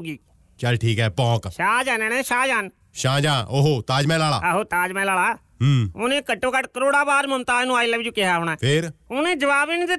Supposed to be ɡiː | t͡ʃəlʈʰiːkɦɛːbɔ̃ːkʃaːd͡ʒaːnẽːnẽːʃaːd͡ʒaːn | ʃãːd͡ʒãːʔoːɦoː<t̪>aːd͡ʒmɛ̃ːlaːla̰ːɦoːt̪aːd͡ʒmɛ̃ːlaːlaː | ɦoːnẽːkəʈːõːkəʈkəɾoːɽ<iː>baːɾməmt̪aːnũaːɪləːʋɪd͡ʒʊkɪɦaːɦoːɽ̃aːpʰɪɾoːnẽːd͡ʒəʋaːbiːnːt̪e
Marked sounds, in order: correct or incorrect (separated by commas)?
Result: correct, incorrect